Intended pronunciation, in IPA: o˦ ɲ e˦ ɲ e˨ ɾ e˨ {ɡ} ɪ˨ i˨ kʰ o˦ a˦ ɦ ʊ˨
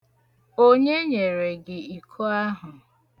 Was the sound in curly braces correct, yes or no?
yes